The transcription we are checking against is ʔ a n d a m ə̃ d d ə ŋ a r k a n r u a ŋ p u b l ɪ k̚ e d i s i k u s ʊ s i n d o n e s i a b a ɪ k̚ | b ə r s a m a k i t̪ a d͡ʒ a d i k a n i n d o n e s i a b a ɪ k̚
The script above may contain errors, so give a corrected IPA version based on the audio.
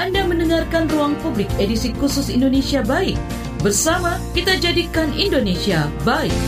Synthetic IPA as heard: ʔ a n d a m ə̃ n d ə ŋ a r k a n r u a ŋ p u b l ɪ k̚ e d i s i k u s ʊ s i n d o n e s i a b a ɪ k̚ | b ə r s a m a k i t̪ a d͡ʒ a d i k a n i n d o n e s i a b a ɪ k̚